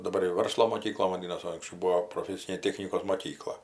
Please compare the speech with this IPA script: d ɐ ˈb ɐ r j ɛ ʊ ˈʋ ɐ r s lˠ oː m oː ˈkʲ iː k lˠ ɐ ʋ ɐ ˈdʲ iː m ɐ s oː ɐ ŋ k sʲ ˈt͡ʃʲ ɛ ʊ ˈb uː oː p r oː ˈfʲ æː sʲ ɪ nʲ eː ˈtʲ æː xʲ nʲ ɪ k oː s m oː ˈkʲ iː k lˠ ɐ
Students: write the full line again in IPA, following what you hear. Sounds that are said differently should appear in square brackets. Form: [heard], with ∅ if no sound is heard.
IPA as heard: d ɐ ˈb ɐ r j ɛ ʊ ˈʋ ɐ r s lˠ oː m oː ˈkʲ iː k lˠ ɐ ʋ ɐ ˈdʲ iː [n] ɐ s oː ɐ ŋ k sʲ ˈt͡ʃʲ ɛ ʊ ˈb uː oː p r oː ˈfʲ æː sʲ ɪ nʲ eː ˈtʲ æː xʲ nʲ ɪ k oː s m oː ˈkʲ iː k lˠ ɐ